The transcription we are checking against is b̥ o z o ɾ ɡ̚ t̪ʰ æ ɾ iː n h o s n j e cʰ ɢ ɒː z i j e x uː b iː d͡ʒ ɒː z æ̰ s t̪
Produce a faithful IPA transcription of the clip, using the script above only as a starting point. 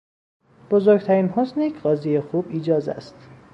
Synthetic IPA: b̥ o z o ɾ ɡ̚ t̪ʰ æ ɾ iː n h o s n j e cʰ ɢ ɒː z i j e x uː b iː d͡ʒ ɒː z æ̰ s t̪